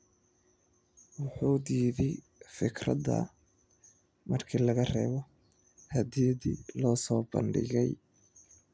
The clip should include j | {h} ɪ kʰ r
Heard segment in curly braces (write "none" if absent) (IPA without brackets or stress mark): f